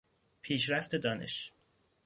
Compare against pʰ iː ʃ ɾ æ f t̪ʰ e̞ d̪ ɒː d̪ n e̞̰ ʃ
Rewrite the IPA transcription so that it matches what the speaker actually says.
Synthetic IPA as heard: pʰ iː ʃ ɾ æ f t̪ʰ e̞ d̪ ɒː n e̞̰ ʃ